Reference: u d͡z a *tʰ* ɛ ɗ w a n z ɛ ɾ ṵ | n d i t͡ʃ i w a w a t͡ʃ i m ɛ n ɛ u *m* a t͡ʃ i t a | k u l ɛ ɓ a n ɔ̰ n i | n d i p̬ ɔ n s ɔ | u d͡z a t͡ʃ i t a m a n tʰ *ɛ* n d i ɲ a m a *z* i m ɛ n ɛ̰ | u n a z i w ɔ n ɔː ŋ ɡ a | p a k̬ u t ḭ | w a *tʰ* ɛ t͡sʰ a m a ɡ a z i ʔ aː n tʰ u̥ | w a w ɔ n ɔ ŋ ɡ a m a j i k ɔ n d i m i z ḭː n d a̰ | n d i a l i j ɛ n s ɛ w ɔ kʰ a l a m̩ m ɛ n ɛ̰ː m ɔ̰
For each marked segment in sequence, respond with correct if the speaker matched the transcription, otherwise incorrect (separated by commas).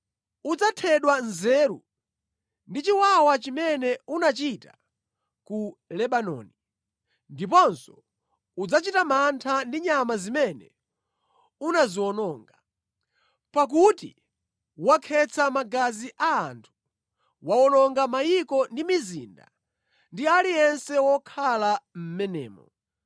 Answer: correct, incorrect, incorrect, correct, incorrect